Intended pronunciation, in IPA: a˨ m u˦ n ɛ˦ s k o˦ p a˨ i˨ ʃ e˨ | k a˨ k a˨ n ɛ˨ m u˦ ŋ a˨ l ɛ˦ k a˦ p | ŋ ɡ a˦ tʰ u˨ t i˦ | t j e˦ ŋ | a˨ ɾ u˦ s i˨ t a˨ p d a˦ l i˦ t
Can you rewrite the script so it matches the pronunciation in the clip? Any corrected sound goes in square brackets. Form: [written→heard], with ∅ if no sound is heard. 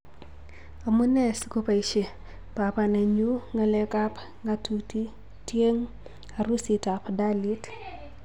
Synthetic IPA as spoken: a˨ m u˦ n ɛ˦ s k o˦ p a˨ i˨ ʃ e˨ | [k→p] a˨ [k→p] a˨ n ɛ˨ [m→ɲ] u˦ ŋ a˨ l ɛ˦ k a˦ p | ŋ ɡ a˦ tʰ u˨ t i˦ | t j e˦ ŋ | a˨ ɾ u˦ s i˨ t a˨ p d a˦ l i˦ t